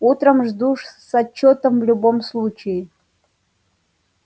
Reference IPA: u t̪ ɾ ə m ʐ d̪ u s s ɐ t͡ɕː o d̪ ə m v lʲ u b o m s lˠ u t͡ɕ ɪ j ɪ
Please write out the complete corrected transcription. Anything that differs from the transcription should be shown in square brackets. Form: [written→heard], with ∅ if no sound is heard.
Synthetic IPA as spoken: u t̪ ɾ ə m ʐ d̪ u [s→ʂ] s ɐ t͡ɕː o [d̪→t̪] ə m v lʲ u b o m s lˠ u t͡ɕ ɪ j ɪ